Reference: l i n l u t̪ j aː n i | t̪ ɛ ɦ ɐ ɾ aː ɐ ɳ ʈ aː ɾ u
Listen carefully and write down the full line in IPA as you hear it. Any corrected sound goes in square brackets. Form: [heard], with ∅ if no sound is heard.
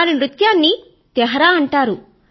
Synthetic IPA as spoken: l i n [ɾ] u t̪ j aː [nː] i | t̪ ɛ ɦ ɐ ɾ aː ɐ ɳ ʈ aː ɾ u